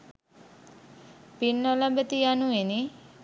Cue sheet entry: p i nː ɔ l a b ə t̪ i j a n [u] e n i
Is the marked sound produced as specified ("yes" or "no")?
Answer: yes